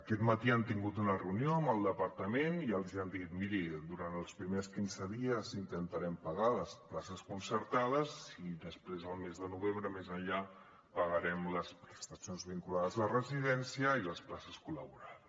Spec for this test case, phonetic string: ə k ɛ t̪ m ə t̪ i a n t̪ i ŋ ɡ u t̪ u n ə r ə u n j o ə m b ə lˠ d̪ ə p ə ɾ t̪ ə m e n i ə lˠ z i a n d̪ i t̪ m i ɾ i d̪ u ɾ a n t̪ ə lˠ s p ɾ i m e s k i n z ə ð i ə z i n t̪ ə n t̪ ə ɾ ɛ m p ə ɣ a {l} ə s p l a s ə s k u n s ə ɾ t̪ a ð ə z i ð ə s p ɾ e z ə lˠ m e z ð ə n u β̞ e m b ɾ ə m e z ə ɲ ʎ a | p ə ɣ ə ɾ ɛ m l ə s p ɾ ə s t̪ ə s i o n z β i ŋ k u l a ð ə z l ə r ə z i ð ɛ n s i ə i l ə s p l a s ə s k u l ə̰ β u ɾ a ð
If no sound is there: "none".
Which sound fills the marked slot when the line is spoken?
l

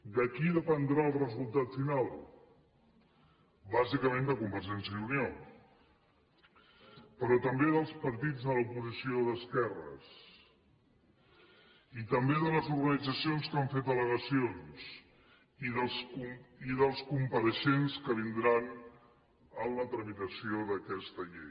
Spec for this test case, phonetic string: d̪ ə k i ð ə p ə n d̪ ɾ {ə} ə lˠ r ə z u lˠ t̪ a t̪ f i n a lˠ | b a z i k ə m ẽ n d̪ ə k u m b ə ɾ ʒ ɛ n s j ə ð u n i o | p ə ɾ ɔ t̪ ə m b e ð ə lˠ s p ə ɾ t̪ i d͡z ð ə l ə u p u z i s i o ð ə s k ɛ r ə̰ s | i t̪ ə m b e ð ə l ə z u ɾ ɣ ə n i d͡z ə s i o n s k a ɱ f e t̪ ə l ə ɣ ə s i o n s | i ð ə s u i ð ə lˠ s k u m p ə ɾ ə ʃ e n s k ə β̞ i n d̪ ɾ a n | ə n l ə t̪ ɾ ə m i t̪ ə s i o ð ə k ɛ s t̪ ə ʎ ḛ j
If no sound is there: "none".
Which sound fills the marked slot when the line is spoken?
a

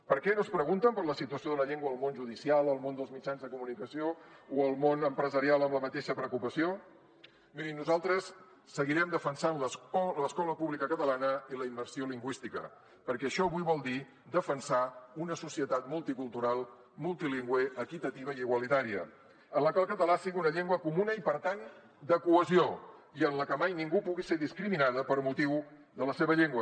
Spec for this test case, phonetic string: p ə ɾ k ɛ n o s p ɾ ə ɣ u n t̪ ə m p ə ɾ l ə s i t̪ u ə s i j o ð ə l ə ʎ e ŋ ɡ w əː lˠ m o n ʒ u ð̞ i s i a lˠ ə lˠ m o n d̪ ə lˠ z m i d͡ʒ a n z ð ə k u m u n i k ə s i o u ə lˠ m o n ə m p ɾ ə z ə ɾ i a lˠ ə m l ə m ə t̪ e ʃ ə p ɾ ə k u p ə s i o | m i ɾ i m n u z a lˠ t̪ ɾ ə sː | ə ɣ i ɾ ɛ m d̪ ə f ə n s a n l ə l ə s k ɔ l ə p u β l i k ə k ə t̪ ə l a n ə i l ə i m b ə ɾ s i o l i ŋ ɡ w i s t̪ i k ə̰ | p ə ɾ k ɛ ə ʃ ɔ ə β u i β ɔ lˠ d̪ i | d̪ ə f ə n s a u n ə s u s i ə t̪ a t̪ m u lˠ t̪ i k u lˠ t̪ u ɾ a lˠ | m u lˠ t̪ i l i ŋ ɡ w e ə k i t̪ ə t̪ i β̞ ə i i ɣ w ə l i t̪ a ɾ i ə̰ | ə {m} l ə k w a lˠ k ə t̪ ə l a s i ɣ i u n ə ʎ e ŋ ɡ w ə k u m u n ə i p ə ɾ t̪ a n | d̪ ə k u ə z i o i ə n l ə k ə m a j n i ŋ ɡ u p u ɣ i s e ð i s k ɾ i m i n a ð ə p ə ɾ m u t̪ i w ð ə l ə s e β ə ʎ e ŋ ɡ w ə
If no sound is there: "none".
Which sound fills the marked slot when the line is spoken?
n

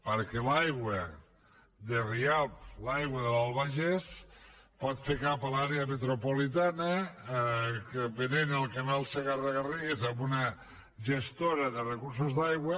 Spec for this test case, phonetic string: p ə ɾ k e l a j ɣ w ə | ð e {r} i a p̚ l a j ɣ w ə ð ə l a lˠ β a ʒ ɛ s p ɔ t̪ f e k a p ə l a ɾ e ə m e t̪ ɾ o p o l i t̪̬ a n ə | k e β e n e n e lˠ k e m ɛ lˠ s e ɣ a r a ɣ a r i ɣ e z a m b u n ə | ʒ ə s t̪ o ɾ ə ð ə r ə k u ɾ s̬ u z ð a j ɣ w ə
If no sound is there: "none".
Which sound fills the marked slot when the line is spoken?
r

